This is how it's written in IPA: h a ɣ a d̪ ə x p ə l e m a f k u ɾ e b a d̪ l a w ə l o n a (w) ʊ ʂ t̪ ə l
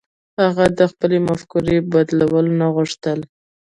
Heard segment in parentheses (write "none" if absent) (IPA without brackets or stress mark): ɣ